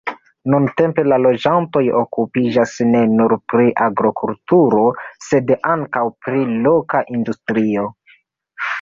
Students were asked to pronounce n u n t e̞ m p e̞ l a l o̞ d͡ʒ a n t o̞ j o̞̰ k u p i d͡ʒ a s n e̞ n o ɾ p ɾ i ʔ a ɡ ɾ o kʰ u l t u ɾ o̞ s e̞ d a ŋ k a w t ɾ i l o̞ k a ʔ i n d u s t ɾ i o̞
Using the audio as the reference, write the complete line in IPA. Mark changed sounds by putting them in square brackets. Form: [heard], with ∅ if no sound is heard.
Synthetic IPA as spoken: n u n t e̞ m p e̞ l a l o̞ d͡ʒ a n t o̞ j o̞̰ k u p i d͡ʒ a s n e̞ n [u] ɾ p ɾ i ʔ a ɡ ɾ o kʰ u l t u ɾ o̞ s e̞ d a ŋ k a w [p] ɾ i l o̞ k a ʔ i n d u s t ɾ i o̞